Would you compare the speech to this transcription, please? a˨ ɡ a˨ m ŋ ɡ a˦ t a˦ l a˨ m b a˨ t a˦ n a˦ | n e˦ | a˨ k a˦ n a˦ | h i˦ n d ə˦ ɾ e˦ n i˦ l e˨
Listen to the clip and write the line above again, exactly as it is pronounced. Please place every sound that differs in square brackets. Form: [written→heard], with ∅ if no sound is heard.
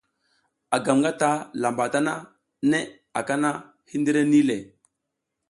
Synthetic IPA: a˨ ɡ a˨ m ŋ ɡ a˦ t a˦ l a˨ m b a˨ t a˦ n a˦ | n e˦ | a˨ k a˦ n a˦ | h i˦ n d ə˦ ɾ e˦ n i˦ l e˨